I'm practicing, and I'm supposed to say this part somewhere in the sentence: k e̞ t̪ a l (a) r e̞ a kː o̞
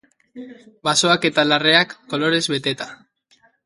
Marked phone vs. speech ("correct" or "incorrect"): correct